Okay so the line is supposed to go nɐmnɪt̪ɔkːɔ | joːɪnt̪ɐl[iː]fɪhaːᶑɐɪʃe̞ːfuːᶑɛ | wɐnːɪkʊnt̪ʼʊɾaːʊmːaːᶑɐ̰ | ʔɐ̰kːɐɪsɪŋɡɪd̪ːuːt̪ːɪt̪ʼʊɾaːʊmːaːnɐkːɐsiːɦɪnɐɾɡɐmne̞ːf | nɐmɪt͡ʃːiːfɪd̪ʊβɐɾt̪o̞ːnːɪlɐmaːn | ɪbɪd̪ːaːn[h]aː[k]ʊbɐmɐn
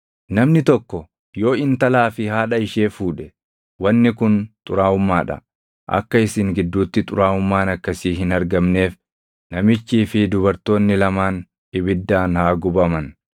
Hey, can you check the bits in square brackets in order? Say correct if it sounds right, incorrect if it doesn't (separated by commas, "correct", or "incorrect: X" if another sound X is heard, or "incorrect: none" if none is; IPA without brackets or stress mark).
incorrect: aː, correct, incorrect: ɡ